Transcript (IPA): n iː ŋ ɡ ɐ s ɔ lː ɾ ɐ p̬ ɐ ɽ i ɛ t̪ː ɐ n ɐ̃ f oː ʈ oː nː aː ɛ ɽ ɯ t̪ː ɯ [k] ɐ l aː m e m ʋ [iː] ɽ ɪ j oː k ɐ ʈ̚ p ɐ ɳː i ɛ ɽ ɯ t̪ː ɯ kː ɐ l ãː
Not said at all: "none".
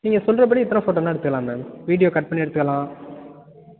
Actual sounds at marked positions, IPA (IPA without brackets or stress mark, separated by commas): k, iː